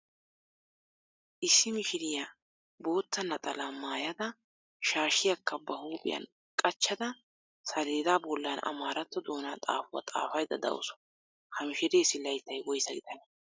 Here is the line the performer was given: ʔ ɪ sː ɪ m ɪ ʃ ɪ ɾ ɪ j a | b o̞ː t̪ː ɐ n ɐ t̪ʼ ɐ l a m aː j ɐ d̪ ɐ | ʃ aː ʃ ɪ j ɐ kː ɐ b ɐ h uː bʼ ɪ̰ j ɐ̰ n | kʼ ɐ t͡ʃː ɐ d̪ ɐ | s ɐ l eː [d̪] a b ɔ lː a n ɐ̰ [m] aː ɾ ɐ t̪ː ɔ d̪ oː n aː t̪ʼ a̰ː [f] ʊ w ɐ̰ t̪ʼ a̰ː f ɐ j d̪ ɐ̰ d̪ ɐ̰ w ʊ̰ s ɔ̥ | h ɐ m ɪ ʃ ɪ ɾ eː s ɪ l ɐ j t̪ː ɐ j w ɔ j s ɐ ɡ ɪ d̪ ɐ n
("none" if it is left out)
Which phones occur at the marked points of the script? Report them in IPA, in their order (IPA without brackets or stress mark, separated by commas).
d̪, m, f